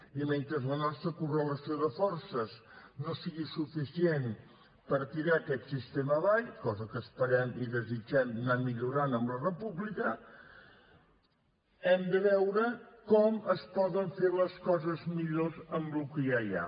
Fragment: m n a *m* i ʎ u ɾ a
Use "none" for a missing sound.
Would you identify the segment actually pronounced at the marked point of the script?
m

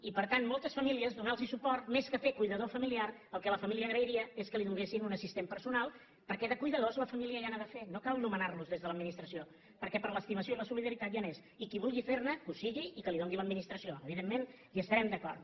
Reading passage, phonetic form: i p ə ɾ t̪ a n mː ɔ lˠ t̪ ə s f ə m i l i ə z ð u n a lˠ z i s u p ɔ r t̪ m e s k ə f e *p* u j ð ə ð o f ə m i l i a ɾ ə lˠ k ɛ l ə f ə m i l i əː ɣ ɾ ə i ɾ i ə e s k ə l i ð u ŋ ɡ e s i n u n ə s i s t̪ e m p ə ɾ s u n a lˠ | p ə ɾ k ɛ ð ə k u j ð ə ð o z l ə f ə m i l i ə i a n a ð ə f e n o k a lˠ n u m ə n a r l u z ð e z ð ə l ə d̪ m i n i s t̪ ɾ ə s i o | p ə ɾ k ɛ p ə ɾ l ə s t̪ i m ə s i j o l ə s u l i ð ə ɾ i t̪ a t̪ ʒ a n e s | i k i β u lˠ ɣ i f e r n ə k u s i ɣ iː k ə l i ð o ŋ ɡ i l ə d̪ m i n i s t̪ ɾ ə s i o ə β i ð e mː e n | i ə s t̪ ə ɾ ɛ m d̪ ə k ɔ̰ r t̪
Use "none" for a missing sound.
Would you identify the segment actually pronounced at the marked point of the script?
k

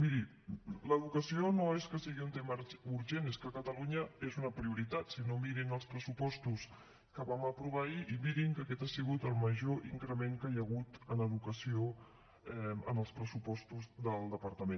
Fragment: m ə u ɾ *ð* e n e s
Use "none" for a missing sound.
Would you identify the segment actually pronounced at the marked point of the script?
ʒ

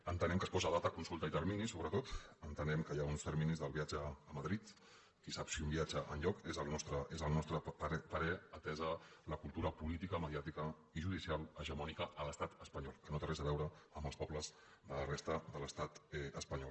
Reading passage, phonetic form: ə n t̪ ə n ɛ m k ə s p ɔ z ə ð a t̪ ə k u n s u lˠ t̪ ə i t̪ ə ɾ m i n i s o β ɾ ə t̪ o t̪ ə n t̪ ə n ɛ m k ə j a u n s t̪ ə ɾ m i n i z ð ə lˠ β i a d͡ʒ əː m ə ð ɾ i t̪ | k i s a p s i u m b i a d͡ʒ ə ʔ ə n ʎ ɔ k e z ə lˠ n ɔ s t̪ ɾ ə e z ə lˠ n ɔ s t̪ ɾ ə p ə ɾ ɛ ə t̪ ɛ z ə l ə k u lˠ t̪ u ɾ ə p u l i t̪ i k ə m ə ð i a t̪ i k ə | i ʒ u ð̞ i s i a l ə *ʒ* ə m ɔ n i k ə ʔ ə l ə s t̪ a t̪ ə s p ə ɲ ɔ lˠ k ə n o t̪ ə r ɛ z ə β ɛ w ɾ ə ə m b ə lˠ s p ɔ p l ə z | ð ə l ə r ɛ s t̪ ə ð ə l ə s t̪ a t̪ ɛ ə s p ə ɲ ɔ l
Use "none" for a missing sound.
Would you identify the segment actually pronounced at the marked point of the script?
ʒ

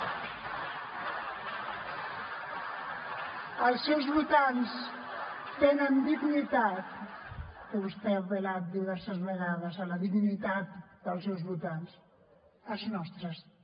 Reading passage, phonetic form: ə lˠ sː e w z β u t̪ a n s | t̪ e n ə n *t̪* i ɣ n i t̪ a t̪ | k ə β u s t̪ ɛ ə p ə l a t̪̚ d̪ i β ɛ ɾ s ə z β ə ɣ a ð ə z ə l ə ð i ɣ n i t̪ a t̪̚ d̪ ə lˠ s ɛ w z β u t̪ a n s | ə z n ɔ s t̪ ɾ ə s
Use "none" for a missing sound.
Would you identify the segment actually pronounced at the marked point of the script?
d̪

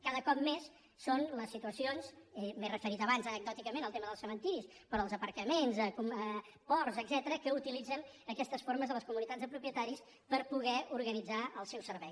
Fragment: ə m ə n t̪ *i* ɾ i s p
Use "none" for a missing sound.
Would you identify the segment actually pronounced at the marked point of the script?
i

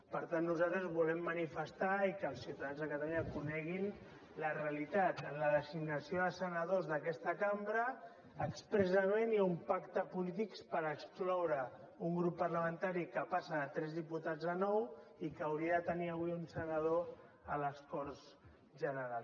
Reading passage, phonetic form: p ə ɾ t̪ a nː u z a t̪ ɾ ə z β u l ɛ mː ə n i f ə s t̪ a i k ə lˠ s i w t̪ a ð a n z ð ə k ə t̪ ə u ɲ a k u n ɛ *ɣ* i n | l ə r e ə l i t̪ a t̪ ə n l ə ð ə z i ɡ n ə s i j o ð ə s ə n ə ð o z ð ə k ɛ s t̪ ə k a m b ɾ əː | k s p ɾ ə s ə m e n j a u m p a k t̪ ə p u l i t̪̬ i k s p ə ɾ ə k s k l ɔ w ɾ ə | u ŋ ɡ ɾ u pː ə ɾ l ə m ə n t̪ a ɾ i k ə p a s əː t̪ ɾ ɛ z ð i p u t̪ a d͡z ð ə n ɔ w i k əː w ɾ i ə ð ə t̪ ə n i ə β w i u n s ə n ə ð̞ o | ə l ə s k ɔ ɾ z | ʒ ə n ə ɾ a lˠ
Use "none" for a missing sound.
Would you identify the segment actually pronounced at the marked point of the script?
ɣ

